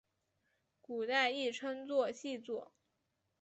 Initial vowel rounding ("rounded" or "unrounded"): rounded